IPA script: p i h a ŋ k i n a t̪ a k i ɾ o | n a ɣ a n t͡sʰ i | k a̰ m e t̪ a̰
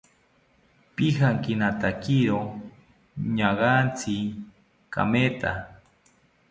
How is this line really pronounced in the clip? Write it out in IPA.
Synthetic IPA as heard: p i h a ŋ k i n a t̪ a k i ɾ o | ɲ a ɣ a n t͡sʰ i | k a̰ m e t̪ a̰